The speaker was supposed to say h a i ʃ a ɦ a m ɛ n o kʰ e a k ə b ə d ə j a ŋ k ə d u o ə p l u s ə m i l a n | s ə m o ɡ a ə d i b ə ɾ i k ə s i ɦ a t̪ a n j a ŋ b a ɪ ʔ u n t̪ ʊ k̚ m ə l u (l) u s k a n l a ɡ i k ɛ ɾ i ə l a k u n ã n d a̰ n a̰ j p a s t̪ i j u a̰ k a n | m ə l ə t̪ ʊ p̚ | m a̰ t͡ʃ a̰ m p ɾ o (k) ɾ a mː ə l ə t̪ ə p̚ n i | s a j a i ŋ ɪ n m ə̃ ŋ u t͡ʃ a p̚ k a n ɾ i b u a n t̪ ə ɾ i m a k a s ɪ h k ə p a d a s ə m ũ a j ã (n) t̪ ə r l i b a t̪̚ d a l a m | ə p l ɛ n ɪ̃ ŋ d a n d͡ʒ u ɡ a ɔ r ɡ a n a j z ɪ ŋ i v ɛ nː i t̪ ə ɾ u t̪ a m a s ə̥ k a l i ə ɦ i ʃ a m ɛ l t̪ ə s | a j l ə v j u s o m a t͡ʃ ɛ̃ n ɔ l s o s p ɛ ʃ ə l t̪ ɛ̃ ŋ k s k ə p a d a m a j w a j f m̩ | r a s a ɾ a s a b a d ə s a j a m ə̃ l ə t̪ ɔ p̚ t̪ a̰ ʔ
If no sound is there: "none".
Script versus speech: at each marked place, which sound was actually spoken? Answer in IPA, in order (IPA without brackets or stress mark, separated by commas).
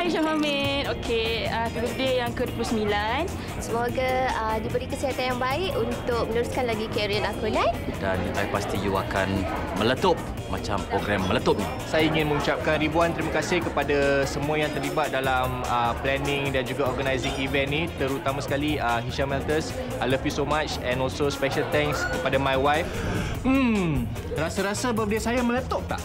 ɾ, ɡ, ŋ